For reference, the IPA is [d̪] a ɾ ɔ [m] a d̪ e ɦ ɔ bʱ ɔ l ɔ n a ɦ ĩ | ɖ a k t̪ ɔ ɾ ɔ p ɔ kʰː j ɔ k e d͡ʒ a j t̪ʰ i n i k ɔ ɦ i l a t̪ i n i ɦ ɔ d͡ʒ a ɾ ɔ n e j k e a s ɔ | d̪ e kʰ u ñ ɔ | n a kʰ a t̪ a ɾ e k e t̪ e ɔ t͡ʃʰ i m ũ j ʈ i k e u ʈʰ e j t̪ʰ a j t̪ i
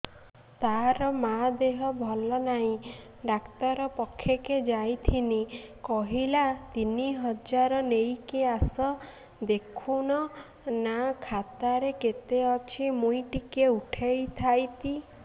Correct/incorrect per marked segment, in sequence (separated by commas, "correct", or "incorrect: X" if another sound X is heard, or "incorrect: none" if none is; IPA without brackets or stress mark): incorrect: t̪, correct